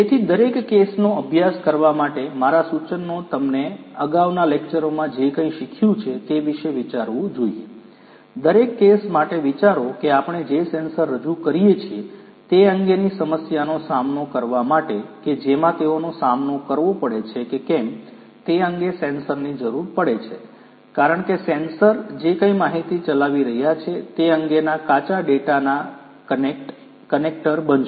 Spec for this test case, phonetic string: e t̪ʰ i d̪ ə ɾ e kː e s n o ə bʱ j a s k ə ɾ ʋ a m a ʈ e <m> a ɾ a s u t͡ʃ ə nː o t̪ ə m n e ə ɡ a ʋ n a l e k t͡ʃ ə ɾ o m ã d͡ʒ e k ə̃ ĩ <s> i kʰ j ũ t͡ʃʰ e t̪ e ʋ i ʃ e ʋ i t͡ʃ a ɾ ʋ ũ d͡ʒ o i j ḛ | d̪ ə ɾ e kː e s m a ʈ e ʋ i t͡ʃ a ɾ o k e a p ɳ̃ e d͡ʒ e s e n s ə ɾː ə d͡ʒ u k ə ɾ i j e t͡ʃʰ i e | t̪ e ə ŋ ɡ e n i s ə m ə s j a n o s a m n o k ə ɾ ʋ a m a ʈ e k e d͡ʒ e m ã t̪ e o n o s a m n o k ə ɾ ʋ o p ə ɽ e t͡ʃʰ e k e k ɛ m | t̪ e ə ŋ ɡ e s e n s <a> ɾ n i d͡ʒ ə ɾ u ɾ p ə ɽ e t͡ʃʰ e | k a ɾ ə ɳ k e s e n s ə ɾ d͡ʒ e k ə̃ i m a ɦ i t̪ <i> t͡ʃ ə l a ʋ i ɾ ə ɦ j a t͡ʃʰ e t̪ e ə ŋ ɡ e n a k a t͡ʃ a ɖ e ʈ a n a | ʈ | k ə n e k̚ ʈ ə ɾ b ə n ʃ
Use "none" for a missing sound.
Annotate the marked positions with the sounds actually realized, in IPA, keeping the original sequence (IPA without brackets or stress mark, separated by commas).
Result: m, ʃ, ə, i